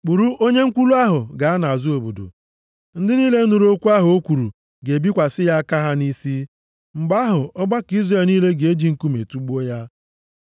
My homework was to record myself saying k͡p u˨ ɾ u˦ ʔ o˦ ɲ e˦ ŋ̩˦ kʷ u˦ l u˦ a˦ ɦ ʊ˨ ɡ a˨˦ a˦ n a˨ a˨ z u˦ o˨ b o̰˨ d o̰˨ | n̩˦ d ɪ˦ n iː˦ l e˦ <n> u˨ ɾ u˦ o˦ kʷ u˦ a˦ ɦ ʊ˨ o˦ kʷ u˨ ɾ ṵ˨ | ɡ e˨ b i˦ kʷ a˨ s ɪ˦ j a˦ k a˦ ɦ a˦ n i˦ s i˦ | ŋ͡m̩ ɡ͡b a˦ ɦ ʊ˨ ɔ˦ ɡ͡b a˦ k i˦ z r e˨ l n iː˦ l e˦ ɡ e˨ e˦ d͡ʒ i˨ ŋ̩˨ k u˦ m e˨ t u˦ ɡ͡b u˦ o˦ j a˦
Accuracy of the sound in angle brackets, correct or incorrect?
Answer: correct